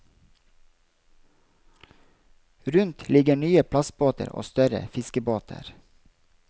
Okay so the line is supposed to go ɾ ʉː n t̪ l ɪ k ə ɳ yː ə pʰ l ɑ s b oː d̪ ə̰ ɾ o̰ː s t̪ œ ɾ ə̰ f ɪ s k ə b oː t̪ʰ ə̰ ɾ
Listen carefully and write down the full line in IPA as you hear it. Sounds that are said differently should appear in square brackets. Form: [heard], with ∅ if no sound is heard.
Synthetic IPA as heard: ɾ [ʉ] n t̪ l ɪ [ɡ] ə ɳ yː ə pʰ l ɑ s b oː [t̪] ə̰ ɾ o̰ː s t̪ œ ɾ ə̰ f ɪ s k ə b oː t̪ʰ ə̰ ɾ